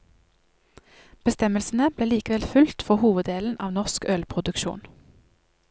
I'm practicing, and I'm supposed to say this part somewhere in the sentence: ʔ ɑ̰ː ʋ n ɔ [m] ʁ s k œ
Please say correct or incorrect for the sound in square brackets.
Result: incorrect